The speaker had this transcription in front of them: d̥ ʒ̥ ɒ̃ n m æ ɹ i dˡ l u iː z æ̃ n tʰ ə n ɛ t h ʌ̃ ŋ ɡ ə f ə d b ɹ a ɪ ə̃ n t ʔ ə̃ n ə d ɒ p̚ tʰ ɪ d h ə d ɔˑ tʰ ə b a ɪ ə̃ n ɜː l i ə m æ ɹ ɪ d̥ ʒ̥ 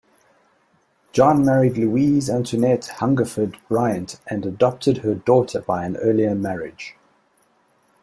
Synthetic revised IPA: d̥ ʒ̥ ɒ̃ n m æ ɹ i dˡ l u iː z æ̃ n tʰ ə n ɛ t h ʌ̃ ŋ ɡ ə f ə d b ɹ a ɪ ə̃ n t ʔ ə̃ n ə d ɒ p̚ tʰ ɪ d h ə d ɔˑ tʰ ə b a ɪ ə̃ n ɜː l i ə m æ ɹ ɪ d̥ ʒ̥